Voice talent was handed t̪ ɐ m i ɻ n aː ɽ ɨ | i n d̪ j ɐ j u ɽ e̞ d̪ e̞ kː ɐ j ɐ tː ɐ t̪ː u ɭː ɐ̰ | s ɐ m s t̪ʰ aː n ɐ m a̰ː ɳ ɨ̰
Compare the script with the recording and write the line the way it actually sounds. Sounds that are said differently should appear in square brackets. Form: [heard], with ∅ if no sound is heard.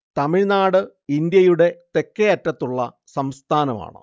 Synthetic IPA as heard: t̪ ɐ m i ɻ n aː ɽ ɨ | i n d̪ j ɐ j u ɽ e̞ [t̪] e̞ kː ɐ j ɐ tː ɐ t̪ː u ɭː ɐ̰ | s ɐ m s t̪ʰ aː n ɐ m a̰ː ɳ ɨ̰